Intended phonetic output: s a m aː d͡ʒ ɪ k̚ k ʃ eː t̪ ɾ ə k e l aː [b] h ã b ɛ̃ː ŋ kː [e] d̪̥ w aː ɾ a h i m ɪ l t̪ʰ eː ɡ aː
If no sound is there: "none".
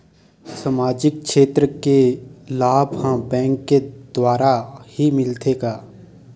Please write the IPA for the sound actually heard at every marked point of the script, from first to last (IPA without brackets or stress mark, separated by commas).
b, e